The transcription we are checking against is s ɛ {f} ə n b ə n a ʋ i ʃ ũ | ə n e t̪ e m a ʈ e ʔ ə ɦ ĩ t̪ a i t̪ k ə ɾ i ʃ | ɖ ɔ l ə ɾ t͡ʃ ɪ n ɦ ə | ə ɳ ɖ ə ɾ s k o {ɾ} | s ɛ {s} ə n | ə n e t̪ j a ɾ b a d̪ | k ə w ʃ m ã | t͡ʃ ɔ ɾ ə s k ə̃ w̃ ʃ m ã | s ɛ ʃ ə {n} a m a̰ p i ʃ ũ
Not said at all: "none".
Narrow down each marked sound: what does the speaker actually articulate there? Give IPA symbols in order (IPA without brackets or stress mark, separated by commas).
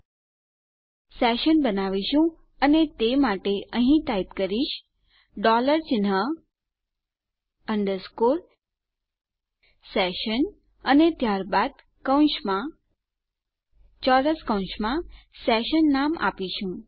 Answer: ʃ, ɾ, ʃ, nː